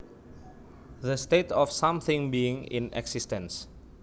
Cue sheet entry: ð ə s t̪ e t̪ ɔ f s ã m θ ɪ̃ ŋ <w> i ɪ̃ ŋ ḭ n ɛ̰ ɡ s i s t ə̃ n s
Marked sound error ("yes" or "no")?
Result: yes